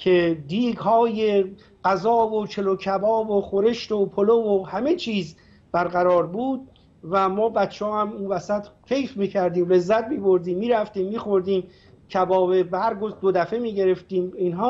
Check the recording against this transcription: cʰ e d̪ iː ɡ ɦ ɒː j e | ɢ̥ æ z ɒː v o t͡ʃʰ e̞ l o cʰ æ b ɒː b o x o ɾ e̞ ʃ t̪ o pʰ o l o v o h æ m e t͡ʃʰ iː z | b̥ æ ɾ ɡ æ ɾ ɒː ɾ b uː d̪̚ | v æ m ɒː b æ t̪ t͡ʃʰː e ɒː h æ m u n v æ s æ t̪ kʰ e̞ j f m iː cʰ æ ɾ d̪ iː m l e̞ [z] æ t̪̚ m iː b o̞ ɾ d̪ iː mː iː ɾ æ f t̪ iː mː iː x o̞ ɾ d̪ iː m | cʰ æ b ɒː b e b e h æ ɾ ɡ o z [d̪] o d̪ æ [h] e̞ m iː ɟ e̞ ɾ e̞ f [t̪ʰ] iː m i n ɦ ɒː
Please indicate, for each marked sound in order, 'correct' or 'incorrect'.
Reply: incorrect: zː, correct, incorrect: f, incorrect: t̪

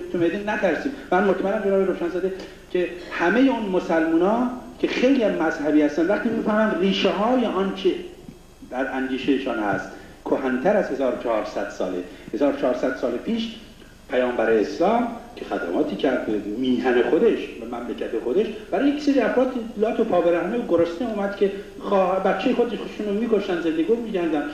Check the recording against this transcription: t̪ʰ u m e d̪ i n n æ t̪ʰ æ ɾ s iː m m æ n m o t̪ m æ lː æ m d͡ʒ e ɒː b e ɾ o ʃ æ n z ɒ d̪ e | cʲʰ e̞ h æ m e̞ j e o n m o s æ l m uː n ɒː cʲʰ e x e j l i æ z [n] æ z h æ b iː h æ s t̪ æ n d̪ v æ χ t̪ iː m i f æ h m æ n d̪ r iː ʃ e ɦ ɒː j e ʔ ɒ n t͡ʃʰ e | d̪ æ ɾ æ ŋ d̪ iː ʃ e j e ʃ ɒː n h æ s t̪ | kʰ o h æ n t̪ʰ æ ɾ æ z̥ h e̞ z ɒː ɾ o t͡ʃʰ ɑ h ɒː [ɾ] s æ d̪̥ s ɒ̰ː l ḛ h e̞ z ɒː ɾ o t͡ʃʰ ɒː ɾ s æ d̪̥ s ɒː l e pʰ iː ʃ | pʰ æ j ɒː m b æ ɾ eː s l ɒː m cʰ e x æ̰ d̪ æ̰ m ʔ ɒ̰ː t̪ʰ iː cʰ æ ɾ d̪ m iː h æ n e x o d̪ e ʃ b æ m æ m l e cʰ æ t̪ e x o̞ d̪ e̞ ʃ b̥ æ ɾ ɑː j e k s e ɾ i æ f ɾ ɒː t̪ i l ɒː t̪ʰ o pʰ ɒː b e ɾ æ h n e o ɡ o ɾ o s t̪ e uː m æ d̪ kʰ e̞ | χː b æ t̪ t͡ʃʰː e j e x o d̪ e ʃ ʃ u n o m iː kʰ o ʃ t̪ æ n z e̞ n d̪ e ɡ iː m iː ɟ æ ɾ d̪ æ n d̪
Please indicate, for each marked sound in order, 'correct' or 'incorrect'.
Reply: incorrect: m, correct

